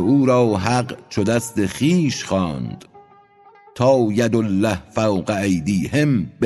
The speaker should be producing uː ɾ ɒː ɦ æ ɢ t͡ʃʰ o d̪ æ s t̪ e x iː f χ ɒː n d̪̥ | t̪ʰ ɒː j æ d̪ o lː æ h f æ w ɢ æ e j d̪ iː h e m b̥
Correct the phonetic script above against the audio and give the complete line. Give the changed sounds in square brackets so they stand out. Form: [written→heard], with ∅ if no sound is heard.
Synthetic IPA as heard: uː ɾ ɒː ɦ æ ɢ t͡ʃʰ o d̪ æ s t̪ e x iː [f→ʃ] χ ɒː n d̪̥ | t̪ʰ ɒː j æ d̪ o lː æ h f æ w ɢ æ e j d̪ iː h e m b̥